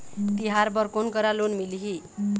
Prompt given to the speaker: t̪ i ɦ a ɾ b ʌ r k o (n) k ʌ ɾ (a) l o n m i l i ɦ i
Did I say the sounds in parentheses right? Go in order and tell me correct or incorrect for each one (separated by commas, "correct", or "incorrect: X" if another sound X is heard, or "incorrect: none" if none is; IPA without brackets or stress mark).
correct, correct